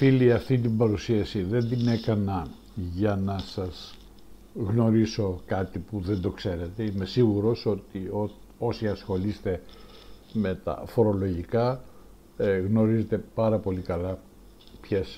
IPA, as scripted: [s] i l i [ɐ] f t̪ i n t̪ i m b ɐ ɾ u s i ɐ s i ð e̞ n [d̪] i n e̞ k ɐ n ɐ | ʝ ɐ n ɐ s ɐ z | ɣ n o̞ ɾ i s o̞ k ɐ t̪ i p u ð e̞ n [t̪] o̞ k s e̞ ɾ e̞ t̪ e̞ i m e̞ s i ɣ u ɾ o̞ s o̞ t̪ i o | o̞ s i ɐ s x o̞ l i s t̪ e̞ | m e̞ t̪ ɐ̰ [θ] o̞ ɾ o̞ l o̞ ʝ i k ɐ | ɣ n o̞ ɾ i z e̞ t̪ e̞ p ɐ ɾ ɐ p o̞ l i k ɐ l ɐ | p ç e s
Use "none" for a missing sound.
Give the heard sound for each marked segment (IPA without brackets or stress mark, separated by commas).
f, ɐ, d̪, d̪, f